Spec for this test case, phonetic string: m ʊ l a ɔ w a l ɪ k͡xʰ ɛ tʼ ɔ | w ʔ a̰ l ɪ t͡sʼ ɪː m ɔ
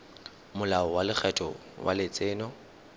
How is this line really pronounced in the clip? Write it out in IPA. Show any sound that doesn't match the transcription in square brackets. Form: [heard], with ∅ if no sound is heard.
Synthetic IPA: m ʊ l a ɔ w a l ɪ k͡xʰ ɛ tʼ ɔ | w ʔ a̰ l ɪ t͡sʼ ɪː [n] ɔ

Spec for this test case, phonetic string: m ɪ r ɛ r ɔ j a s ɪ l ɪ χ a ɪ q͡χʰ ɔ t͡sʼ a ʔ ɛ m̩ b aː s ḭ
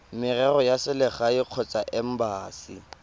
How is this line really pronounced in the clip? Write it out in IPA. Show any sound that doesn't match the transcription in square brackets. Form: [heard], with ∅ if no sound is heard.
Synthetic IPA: m ɪ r ɛ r ɔ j a s ɪ l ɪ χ a ɪ q͡χʰ ɔ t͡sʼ a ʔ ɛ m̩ b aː s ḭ

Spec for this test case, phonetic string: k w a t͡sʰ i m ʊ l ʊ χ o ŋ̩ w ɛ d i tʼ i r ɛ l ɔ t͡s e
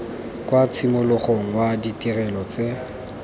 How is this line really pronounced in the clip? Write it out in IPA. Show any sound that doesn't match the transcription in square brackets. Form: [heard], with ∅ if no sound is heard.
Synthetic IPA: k w a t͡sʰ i m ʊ l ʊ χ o ŋ̩ w [a] d i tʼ i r ɛ l ɔ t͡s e

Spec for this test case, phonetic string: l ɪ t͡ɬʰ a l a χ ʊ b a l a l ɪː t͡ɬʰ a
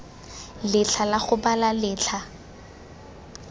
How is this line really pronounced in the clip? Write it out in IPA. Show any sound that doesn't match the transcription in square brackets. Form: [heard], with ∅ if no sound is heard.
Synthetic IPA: l ɪ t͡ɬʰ a l a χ ʊ b a l a l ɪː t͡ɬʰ a

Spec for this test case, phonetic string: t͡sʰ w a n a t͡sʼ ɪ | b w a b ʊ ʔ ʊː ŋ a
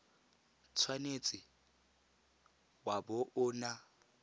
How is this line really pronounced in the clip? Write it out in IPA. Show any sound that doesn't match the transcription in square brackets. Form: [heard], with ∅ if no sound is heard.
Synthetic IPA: t͡sʰ w a n [e] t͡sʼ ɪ | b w a b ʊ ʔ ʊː [n] a

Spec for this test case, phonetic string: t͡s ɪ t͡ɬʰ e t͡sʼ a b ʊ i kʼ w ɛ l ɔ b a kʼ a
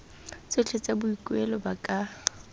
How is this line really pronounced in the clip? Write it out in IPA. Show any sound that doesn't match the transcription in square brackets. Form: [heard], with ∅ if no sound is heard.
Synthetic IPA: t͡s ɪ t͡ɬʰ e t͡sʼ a b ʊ i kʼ w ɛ l ɔ b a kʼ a

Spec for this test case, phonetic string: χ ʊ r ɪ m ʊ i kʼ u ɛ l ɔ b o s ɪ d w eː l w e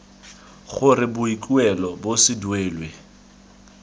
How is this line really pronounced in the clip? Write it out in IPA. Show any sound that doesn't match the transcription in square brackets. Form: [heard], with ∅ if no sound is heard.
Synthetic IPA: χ ʊ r ɪ [b] ʊ i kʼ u ɛ l ɔ b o s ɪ d w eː l w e

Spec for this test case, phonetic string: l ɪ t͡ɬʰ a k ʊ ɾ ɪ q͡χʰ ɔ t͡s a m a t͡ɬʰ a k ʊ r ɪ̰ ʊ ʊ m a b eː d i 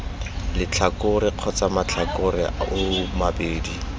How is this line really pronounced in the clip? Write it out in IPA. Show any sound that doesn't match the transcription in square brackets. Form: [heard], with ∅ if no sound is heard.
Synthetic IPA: l ɪ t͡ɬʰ a k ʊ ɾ ɪ q͡χʰ ɔ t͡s a m a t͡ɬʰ a k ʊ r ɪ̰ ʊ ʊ m a b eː d i

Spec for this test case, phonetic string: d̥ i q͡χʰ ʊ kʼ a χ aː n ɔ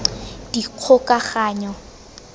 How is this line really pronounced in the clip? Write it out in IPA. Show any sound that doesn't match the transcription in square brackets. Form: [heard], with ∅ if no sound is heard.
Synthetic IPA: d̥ i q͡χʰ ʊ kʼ a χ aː [ɲ] ɔ

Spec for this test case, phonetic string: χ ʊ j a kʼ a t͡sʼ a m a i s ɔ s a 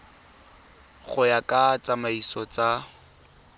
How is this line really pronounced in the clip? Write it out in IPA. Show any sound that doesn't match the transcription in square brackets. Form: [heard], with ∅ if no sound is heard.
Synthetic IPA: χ ʊ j a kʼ a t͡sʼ a m a i s ɔ [t͡s] a

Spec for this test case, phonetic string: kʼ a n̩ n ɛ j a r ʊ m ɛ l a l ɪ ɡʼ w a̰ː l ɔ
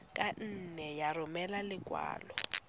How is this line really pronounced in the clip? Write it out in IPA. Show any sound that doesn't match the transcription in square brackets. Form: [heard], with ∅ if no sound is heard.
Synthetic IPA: kʼ a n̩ n ɛ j a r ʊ m ɛ l a l ɪ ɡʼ w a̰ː l ɔ

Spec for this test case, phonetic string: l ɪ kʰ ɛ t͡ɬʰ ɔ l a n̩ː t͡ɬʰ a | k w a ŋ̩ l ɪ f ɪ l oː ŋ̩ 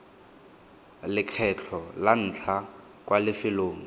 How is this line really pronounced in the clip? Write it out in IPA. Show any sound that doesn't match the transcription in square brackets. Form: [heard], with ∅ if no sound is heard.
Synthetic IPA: l ɪ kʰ ɛ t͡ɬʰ ɔ l a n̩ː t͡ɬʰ a | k w a [∅] l ɪ f ɪ l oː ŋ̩

